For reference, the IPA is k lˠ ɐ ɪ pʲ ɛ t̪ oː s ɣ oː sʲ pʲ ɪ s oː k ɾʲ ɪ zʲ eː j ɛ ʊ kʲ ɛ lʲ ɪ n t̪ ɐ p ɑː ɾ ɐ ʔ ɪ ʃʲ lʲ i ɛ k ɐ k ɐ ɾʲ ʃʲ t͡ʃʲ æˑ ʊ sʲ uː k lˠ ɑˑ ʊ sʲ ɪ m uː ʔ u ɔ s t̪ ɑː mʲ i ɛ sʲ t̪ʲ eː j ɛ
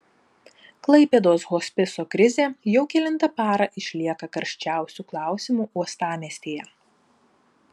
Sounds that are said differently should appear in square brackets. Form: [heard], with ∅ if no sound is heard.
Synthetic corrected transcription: k lˠ ɐ ɪ pʲ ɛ [d̪] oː s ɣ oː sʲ pʲ ɪ s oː k ɾʲ ɪ zʲ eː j ɛ ʊ kʲ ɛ lʲ ɪ n t̪ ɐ p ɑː ɾ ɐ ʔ ɪ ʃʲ lʲ i ɛ k ɐ k ɐ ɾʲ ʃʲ t͡ʃʲ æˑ ʊ sʲ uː k lˠ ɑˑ ʊ sʲ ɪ m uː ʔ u ɔ s t̪ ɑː mʲ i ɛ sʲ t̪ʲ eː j ɛ